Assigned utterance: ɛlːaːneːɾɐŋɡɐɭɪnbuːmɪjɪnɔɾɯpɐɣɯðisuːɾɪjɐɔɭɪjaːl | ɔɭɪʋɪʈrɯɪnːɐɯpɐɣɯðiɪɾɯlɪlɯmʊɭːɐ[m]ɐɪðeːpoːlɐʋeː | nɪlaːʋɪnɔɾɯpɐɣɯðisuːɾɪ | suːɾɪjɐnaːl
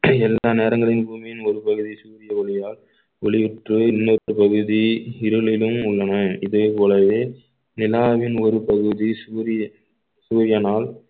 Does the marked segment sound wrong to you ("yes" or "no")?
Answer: yes